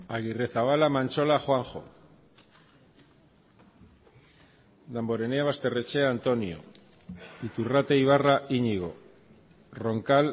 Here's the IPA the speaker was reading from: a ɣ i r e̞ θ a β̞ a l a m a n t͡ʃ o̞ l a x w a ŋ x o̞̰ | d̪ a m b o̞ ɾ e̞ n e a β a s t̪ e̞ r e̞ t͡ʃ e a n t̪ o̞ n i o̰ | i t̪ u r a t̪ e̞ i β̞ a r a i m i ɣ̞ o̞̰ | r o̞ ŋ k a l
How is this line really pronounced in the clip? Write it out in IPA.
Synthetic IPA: a ɣ i r e̞ θ a β̞ a l a m a n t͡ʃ o̞ l a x w a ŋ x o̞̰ | d̪ a m b o̞ ɾ e̞ n e a β a s t̪ e̞ r e̞ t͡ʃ e a n t̪ o̞ n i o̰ | i t̪ u r a t̪ e̞ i β̞ a r a i ɲ i ɣ̞ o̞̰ | r o̞ ŋ k a l